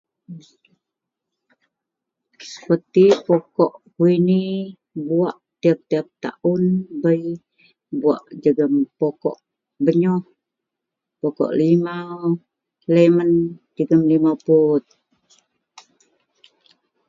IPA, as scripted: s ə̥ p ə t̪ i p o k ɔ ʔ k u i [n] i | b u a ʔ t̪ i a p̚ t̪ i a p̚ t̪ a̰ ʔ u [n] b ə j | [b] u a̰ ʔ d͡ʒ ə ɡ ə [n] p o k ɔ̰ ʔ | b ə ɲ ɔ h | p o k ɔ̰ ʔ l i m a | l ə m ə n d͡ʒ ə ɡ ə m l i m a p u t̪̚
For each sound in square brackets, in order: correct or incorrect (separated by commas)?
correct, correct, correct, incorrect